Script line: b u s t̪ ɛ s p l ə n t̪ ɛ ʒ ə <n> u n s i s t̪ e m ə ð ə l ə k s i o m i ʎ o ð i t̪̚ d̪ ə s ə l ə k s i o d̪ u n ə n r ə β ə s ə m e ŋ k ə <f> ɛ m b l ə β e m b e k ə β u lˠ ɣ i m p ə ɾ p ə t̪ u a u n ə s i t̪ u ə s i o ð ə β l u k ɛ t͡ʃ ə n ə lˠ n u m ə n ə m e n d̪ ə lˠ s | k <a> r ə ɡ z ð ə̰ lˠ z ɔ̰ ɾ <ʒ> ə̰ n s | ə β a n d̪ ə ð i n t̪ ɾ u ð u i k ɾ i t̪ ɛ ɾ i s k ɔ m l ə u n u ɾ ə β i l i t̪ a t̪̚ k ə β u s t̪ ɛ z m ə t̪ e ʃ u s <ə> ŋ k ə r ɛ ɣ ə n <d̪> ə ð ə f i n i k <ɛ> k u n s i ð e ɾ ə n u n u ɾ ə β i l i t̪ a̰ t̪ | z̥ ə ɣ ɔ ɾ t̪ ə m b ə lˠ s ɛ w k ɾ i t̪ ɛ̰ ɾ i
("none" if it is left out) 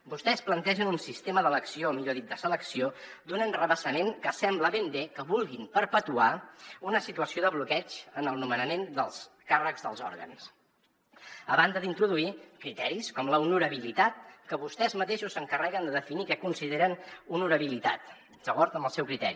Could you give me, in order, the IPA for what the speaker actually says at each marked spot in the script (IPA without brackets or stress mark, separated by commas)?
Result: n, s, a, ɣ, ə, d̪, ɛ